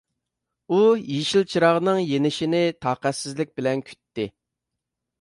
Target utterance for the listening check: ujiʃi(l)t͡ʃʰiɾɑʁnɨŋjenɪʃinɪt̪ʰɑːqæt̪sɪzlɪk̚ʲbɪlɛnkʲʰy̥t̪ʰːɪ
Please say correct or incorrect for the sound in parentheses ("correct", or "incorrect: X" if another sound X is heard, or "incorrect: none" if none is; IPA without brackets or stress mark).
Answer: correct